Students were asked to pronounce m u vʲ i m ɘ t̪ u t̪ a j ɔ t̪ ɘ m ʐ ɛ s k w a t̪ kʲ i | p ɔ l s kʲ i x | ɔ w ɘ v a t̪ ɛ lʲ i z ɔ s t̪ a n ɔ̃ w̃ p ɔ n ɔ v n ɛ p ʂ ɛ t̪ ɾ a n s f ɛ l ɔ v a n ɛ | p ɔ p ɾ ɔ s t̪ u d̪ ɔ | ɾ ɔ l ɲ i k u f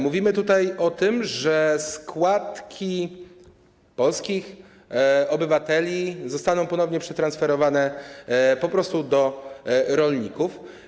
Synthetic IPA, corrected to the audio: m u vʲ i m ɘ t̪ u t̪ a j ɔ t̪ ɘ m ʐ ɛ s k w a t̪ kʲ i | p ɔ l s kʲ i x | ɔ b ɘ v a t̪ ɛ lʲ i z ɔ s t̪ a n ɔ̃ w̃ p ɔ n ɔ v ɲ ɛ p ʂ ɛ t̪ ɾ a n s f ɛ ɾ ɔ v a n ɛ | p ɔ p ɾ ɔ s t̪ u d̪ ɔ | ɾ ɔ l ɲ i k u f